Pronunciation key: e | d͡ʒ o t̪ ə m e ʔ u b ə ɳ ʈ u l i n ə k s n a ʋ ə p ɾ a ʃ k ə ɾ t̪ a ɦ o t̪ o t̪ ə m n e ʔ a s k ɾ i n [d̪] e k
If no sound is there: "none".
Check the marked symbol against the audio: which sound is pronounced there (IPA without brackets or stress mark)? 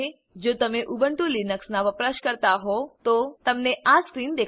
d̪